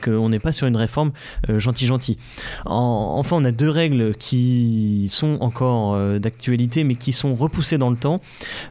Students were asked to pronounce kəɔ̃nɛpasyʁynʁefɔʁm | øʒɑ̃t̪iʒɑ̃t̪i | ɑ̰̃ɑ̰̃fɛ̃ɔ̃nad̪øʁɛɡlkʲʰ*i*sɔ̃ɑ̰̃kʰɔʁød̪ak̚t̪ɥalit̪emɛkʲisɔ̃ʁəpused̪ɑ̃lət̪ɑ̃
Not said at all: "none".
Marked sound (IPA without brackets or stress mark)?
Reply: i